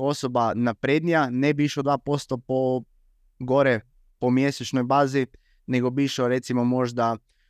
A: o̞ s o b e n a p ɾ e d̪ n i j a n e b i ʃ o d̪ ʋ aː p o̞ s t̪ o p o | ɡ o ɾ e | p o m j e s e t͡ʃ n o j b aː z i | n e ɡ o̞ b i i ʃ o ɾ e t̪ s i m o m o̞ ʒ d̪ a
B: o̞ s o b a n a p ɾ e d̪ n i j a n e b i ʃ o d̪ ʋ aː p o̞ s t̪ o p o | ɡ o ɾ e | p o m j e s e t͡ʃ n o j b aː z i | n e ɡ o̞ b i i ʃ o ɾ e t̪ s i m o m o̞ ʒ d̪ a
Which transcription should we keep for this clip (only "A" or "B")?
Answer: B